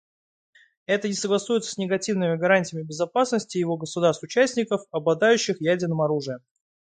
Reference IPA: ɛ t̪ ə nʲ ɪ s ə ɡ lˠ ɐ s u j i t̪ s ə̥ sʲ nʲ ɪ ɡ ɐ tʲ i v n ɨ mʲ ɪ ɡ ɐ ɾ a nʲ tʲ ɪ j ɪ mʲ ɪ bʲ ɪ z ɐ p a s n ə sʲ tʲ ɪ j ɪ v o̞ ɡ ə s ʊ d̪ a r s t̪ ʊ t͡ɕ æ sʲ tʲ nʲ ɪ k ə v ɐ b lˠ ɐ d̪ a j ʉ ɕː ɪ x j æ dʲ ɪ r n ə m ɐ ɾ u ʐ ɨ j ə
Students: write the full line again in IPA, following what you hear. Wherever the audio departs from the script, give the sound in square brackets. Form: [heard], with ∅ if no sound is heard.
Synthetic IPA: ɛ t̪ ə nʲ ɪ s ə ɡ lˠ ɐ s u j [ɪ] t̪ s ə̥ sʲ nʲ ɪ ɡ ɐ tʲ i v n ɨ mʲ ɪ ɡ ɐ ɾ a nʲ tʲ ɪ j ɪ mʲ ɪ bʲ ɪ z ɐ p a s n ə sʲ tʲ ɪ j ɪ v o̞ ɡ ə s ʊ d̪ a r s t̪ ʊ t͡ɕ æ sʲ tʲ nʲ ɪ k ə [f] ɐ b lˠ ɐ d̪ a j ʉ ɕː ɪ x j æ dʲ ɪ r n ə m ɐ ɾ u ʐ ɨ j ə